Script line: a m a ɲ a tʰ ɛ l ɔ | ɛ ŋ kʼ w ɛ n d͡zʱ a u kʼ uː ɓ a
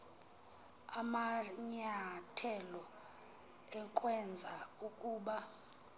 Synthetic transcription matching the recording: a m a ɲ a tʰ ɛ l ɔ | ɛ ŋ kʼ w ɛ n d͡zʱ a u kʼ uː ɓ a